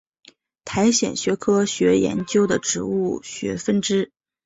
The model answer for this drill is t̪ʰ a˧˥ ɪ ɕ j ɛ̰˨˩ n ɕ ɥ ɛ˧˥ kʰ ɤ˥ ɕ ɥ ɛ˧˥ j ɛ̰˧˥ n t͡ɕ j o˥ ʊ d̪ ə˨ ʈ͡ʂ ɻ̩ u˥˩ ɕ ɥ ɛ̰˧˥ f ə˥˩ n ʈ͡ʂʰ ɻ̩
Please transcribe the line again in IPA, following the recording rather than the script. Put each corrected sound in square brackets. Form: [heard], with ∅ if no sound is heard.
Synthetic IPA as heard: t̪ʰ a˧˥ ɪ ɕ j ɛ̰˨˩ n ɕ ɥ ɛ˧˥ kʰ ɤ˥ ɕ ɥ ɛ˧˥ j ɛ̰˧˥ n t͡ɕ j o˥ ʊ d̪ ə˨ ʈ͡ʂ ɻ̩ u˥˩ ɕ ɥ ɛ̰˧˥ f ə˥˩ n [ʈ͡ʂ] ɻ̩